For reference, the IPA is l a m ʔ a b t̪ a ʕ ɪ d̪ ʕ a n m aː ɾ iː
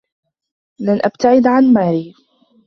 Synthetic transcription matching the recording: l a n ʔ a b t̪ a ʕ ɪ d̪ ʕ a n m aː ɾ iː